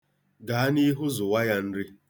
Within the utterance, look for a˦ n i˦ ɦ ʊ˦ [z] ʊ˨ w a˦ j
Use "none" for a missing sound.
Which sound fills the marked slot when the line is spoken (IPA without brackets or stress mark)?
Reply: z